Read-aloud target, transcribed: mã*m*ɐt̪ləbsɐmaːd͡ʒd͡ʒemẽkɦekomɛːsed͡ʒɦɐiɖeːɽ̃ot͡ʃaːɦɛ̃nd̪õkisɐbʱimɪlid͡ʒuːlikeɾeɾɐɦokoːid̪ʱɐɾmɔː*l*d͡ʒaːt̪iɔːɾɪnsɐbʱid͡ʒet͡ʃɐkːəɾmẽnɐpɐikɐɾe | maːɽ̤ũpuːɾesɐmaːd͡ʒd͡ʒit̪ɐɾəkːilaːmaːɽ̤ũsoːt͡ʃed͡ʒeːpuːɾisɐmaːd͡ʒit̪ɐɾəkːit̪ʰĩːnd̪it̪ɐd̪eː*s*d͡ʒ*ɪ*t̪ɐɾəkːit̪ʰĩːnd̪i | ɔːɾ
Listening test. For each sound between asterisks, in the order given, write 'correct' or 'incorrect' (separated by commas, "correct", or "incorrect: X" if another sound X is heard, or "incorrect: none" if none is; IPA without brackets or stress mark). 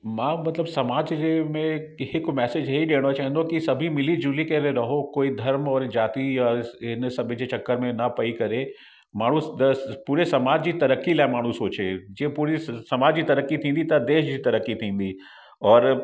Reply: correct, incorrect: ɾ, incorrect: ʃ, incorrect: i